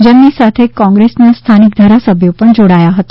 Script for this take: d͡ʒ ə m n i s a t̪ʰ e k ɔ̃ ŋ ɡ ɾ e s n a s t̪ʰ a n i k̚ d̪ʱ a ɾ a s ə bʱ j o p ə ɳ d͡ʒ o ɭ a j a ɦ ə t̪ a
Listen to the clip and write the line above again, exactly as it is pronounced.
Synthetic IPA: d͡ʒ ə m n i s a t̪ʰ e k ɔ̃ ŋ ɡ ɾ e s n a s t̪ʰ a n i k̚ d̪ʱ a ɾ a s ə bʱ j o p ə ɳ d͡ʒ o ɽ a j a ɦ ə t̪ a

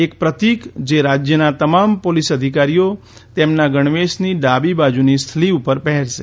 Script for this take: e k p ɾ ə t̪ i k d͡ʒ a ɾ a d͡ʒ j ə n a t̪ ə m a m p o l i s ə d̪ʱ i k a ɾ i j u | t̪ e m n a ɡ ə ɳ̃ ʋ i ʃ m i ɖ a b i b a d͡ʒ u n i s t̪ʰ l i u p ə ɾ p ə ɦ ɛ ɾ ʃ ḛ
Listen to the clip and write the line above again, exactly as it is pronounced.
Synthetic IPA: e k p ɾ ə t̪ i k d͡ʒ e ɾ a d͡ʒ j ə n a t̪ ə m a m p o l i s ə d̪ʱ i k a ɾ i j o | t̪ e m n a ɡ ə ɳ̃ ʋ e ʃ n i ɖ a b i b a d͡ʒ u n i s t̪ʰ l i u p ə ɾ p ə ɦ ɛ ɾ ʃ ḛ

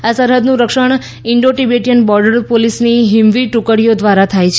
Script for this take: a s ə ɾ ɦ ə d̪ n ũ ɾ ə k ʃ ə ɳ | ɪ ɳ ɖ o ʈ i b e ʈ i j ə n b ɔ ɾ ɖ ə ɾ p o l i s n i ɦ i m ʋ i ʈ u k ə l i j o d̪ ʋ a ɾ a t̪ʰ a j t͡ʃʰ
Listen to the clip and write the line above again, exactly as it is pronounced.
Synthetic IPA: a s ə ɾ ɦ ə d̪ n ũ ɾ ə k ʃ ə ɳ | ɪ ɳ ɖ o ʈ i b e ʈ i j ə n b ɔ ɾ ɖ ə ɾ p o l i s n i ɦ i m ʋ i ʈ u k ə ɽ i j o d̪ ʋ a ɾ a t̪ʰ a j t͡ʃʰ

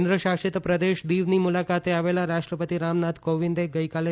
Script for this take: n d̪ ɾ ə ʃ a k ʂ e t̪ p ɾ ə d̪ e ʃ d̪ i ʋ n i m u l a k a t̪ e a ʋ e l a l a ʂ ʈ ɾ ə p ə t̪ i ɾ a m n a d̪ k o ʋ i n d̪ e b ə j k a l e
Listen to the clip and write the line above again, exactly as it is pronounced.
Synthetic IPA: n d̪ ɾ ə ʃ a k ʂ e t̪ p ɾ ə d̪ e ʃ d̪ i ʋ n i m u l a k a t̪ e a ʋ e l a ɾ a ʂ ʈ ɾ ə p ə t̪ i ɾ a m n a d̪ k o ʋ i n d̪ e ɡ ə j k a l e

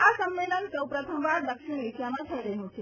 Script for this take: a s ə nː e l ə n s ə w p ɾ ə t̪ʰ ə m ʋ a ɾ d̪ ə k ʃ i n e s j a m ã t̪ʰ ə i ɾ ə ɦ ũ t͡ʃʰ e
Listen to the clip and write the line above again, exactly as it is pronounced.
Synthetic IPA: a s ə mː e l ə n s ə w p ɾ ə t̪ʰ ə m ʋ a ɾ d̪ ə k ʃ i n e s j a m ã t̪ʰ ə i ɾ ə ɦ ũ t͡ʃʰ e

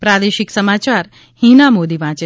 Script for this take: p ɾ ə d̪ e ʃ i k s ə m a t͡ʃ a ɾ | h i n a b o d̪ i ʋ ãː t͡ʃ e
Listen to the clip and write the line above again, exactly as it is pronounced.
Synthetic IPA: p ɾ a d̪ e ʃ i k s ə m a t͡ʃ a ɾ | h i n a m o d̪ i ʋ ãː t͡ʃ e

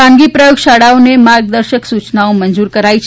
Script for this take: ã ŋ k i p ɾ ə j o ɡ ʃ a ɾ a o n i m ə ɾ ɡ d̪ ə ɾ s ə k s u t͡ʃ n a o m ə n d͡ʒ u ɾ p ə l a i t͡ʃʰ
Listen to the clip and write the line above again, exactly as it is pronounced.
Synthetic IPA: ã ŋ ɡ i p ɾ ə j o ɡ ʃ a ɽ a o n e m a ɾ ɡ d̪ ə ɾ ʃ ə k s u t͡ʃ n a o m ə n d͡ʒ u ɾ k ə ɾ a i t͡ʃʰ

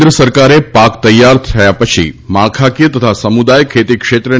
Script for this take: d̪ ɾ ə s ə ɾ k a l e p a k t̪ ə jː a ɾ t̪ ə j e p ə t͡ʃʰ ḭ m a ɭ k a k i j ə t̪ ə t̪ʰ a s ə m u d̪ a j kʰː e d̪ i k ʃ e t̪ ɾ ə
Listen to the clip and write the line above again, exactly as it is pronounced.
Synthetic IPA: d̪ ɾ ə s ə ɾ k a ɾ e p a k t̪ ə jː a ɾ t̪ʰ ə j a p ə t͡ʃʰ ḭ m a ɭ kʰ a k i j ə t̪ ə t̪ʰ a s ə m u d̪ a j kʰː e t̪ i k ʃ e t̪ ɾ ə

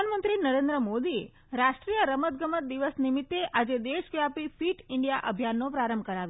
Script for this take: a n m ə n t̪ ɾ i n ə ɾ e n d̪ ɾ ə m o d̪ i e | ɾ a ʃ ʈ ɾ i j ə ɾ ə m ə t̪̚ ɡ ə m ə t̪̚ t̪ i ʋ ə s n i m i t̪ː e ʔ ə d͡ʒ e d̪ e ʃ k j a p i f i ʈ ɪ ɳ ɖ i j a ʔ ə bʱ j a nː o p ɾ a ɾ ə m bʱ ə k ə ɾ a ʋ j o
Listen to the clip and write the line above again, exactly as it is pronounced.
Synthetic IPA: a n m ə n t̪ ɾ i n ə ɾ e n d̪ ɾ ə m o d̪ i e | ɾ a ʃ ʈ ɾ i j ə ɾ ə m ə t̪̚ ɡ ə m ə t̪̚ d̪ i ʋ ə s n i m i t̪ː e ʔ a d͡ʒ e d̪ e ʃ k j a p i f i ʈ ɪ ɳ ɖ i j a ʔ ə bʱ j a nː o p ɾ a ɾ ə m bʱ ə k ə ɾ a ʋ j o

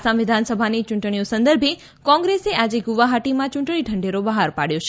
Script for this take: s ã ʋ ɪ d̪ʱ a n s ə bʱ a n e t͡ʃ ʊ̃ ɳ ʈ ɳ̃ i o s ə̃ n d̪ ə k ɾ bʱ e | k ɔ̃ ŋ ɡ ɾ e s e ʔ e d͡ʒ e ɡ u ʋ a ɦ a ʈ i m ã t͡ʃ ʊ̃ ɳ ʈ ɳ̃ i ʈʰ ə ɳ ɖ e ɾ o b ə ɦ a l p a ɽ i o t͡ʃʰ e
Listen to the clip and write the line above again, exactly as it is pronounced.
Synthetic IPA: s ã ʋ ɪ d̪ʱ a n s ə bʱ a n i t͡ʃ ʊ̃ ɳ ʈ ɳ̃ i o s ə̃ n d̪ ə ɾ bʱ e | k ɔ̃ ŋ ɡ ɾ e s e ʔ a d͡ʒ e ɡ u ʋ a ɦ a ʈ i m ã t͡ʃ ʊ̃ ɳ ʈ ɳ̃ i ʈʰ ə ɳ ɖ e ɾ o b ə ɦ a ɾ p a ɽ j o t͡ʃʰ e

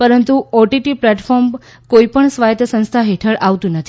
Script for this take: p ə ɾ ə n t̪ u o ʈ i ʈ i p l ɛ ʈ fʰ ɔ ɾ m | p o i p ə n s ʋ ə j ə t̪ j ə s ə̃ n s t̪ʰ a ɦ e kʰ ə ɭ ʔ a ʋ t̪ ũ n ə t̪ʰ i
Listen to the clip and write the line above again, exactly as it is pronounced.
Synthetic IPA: p ə ɾ ə n t̪ u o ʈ i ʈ i p l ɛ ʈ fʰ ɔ ɾ m | k o i p ə ɳ s ʋ a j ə t̪ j ə s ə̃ n s t̪ʰ a ɦ e ʈʰ ə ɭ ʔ a ʋ t̪ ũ n ə t̪ʰ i

